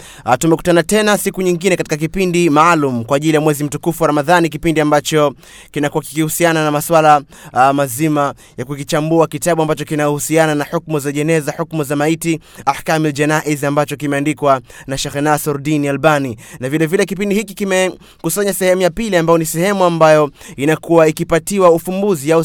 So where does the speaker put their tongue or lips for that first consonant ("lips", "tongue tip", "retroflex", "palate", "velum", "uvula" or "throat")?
tongue tip